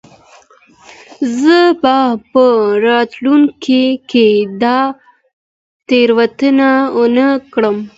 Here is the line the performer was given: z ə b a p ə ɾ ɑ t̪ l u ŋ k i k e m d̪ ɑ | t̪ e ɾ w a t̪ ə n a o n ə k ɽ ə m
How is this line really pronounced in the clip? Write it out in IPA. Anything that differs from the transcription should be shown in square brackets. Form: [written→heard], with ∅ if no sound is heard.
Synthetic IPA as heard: z ə b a p ə ɾ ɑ t̪ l u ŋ k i k e [m→∅] d̪ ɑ | t̪ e ɾ w a t̪ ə n a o n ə k ɽ ə m

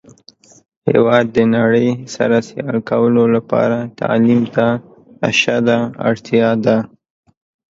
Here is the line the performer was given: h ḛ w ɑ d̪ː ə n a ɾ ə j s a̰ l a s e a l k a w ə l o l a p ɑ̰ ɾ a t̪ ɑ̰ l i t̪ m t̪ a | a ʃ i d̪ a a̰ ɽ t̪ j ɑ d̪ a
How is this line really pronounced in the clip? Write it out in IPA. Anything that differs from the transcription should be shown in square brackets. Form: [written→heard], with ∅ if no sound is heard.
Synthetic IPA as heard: h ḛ w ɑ d̪ː ə n a [ɾ→ɽ] ə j s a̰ [l→ɾ] a s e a l k a w ə l o l a p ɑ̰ ɾ a t̪ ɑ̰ l i [t̪→∅] m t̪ a | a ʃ [i→a] d̪ a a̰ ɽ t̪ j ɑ d̪ a

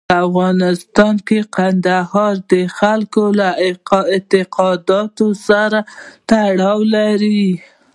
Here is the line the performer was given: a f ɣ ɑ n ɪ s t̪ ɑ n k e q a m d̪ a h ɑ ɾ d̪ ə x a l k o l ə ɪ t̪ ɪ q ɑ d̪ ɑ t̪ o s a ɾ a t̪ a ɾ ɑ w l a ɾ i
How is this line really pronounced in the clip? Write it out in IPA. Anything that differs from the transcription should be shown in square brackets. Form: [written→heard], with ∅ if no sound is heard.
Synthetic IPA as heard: a f ɣ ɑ n ɪ s t̪ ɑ n k e q a [m→n] d̪ a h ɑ ɾ d̪ ə x a l k o l [ə→a] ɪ t̪ ɪ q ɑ d̪ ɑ t̪ o s a ɾ a t̪ a [ɾ→ɽ] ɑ w l a ɾ i

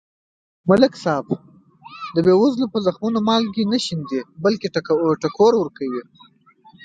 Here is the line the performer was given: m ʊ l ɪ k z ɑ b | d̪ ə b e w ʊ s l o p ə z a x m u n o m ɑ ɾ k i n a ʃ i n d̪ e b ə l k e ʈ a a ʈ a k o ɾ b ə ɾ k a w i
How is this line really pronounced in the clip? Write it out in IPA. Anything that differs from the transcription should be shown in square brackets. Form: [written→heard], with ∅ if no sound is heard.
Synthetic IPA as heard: m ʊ l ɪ k [z→s] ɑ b | d̪ ə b e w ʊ [s→z] l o p ə z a x m u n o m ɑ [ɾ→l] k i n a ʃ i n d̪ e b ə l k e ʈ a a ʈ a k o ɾ [b→w] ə ɾ k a w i

